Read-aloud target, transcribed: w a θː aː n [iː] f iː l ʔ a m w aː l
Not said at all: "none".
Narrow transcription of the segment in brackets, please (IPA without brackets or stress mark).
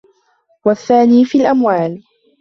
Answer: iː